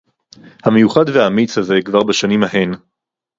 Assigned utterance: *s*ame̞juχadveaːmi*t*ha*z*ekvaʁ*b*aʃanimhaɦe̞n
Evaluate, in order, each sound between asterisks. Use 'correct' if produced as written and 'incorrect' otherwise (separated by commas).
incorrect, incorrect, correct, correct